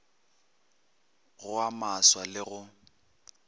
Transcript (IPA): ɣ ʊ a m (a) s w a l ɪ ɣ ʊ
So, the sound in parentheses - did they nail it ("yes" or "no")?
yes